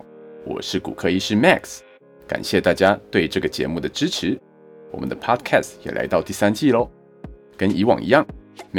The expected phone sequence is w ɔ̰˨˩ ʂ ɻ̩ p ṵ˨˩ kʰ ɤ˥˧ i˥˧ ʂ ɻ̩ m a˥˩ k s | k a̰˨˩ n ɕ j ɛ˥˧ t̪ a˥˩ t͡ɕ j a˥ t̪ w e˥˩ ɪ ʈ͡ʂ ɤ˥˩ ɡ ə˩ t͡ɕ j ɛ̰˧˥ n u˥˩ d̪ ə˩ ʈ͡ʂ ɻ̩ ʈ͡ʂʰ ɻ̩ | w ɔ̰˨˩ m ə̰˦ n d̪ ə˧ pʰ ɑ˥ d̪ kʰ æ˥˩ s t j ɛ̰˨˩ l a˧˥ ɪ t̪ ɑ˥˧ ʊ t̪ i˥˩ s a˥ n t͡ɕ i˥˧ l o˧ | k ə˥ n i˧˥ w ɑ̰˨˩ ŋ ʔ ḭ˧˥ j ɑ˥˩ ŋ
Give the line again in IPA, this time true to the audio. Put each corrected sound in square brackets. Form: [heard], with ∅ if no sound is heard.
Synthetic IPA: w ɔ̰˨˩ ʂ ɻ̩ [k] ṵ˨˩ kʰ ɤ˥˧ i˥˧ ʂ ɻ̩ m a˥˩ k s | k a̰˨˩ n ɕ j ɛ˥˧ t̪ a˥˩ t͡ɕ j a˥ t̪ w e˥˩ ɪ ʈ͡ʂ ɤ˥˩ ɡ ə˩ t͡ɕ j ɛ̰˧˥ [m] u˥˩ d̪ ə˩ ʈ͡ʂ ɻ̩ ʈ͡ʂʰ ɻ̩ | w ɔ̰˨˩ m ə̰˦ n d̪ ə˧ pʰ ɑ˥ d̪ kʰ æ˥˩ s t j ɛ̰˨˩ l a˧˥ ɪ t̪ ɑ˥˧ ʊ t̪ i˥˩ s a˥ n t͡ɕ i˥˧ l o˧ | k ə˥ n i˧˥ w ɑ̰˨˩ ŋ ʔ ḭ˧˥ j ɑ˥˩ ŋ